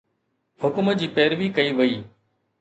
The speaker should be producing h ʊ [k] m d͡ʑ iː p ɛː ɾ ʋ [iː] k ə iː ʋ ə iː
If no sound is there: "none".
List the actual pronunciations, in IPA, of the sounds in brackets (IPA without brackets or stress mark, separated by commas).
k, iː